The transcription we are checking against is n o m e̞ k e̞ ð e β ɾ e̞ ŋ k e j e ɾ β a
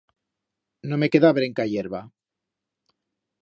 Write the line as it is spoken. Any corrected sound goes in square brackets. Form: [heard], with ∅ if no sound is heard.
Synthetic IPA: n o m e̞ k e̞ ð [a] β ɾ e̞ ŋ k [a] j e ɾ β a